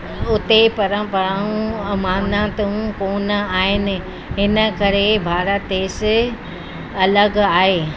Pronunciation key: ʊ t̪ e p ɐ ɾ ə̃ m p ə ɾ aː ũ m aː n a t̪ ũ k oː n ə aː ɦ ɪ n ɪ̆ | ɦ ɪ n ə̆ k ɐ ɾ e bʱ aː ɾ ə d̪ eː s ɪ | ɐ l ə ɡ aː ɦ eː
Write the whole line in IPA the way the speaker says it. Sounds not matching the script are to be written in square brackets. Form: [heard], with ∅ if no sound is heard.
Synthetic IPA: ʊ t̪ e p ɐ ɾ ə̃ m p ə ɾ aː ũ m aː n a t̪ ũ k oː n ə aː ɦ ɪ n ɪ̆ | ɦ ɪ n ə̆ k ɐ ɾ e bʱ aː ɾ ə [t̪] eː s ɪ | ɐ l ə ɡ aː ɦ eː

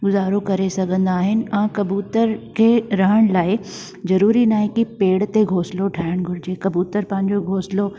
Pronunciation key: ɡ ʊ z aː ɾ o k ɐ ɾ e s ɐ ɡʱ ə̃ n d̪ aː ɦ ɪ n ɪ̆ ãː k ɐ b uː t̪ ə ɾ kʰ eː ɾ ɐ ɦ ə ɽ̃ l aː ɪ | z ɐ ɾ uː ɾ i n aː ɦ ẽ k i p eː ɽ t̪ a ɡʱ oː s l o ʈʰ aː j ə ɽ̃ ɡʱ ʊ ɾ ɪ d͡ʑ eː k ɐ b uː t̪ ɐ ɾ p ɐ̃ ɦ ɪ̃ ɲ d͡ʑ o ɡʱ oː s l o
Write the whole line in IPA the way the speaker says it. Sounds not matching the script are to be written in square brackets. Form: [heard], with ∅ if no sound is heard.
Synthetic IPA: ɡ ʊ z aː ɾ o k ɐ ɾ e s ɐ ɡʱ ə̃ n d̪ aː ɦ ɪ n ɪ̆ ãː k ɐ b uː t̪ ə ɾ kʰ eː ɾ ɐ ɦ ə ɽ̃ l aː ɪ | z ɐ ɾ uː ɾ i n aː ɦ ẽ k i p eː ɽ t̪ [e] ɡʱ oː s l o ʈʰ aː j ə ɽ̃ ɡʱ ʊ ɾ ɪ d͡ʑ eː k ɐ b uː t̪ [ə] ɾ p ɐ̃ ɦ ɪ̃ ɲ d͡ʑ o ɡʱ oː s l o

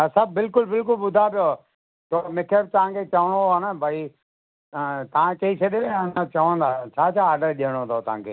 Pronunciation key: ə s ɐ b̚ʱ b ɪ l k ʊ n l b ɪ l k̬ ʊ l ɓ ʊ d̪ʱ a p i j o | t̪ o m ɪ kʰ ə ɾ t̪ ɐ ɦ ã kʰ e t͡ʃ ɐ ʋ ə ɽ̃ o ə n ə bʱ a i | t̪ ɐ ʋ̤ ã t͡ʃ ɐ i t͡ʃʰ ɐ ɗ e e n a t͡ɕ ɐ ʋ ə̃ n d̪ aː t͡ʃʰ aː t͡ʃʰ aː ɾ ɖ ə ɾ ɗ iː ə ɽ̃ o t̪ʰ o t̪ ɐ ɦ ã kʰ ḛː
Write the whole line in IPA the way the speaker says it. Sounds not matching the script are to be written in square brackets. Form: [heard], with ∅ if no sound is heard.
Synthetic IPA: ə s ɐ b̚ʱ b ɪ l k ʊ [∅] l b ɪ l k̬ ʊ l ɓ ʊ d̪ʱ a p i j o | t̪ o m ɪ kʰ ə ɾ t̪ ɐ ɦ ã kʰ e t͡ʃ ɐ ʋ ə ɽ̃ o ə n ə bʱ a i | t̪ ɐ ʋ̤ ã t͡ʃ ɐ i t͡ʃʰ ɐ ɗ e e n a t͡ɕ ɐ ʋ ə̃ n d̪ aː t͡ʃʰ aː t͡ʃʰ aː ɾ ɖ ə ɾ ɗ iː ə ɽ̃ o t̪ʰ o t̪ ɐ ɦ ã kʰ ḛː

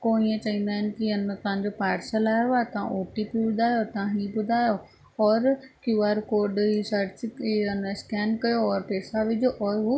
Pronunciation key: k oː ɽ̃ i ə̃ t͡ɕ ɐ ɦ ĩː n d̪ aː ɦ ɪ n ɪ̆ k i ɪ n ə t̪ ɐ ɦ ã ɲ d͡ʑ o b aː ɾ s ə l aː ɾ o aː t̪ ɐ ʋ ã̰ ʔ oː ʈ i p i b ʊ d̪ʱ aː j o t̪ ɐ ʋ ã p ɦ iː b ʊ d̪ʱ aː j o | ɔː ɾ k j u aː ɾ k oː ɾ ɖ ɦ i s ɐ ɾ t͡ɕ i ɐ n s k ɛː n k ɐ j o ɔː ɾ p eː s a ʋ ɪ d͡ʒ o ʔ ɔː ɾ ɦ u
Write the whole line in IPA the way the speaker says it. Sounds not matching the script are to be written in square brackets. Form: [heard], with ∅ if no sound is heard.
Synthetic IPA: k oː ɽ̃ i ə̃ t͡ɕ ɐ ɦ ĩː n d̪ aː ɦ ɪ n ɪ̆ k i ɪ n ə t̪ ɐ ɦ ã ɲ d͡ʑ o [p] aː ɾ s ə l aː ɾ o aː t̪ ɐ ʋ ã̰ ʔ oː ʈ i p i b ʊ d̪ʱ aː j o t̪ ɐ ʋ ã [∅] ɦ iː b ʊ d̪ʱ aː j o | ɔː ɾ k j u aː ɾ k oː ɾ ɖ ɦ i s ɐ ɾ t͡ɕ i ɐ n s k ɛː n k ɐ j o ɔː ɾ p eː s a ʋ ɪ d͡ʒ o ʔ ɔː ɾ ɦ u

